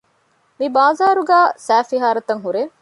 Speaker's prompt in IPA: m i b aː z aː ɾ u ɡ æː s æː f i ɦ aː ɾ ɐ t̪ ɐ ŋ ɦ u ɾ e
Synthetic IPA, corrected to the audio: m i b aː z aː ɾ u ɡ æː s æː f i ɦ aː ɾ ɐ t̪ ɐ ŋ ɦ u ɾ e